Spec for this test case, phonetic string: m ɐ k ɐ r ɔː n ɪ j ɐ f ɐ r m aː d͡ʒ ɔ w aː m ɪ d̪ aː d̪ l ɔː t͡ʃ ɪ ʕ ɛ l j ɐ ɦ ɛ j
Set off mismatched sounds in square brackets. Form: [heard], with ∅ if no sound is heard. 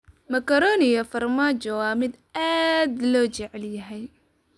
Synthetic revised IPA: m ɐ k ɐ [ɾ] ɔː n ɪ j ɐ f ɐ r m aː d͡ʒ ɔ w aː m ɪ d̪ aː d̪ l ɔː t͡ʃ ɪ ʕ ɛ l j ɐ ɦ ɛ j